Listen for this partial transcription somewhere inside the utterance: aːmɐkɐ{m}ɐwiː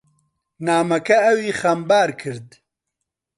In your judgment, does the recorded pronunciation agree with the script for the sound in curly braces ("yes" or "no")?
no